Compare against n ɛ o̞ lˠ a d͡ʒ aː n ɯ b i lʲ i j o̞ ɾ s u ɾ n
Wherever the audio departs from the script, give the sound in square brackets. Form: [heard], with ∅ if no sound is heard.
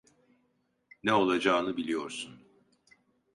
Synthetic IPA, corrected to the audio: n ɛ o̞ lˠ a d͡ʒ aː n ɯ b i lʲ i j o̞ ɾ s u [∅] n